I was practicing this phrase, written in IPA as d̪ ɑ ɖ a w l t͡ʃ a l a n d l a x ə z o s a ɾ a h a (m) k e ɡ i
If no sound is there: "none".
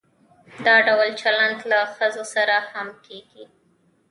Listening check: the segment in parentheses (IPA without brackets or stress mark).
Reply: m